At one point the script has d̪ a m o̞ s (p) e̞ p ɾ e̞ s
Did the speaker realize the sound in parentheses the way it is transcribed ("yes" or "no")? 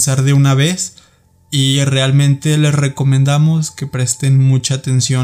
no